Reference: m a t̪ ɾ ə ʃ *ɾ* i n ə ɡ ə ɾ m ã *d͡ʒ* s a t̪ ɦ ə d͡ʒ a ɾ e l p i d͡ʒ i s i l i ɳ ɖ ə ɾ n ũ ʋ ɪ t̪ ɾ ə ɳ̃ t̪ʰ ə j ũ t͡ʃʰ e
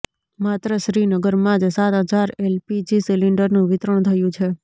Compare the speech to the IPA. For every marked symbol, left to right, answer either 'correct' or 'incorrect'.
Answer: correct, correct

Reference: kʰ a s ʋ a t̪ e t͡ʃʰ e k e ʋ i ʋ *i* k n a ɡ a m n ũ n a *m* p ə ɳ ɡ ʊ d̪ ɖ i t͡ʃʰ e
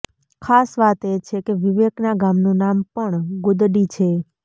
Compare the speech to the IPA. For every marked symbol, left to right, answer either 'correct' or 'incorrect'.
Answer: incorrect, correct

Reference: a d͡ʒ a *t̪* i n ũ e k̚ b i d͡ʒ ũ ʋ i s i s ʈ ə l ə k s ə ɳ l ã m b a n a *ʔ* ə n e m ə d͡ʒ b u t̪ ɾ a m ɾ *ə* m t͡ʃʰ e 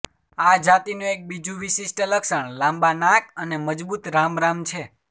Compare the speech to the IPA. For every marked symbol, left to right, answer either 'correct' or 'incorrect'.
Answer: correct, incorrect, incorrect

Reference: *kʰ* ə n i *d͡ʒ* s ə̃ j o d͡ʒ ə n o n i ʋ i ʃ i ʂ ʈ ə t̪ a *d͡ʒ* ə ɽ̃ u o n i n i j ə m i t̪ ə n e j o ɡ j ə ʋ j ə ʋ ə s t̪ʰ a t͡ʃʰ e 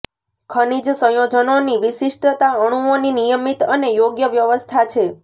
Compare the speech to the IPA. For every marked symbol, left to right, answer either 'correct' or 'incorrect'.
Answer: correct, correct, incorrect

